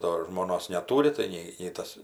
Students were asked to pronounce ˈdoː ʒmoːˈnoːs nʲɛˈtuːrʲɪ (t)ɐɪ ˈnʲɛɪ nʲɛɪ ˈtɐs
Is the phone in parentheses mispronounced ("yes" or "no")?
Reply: no